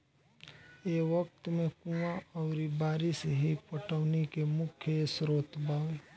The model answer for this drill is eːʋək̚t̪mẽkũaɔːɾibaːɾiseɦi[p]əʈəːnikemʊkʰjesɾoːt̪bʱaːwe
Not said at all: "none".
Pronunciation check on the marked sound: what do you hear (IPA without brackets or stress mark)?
p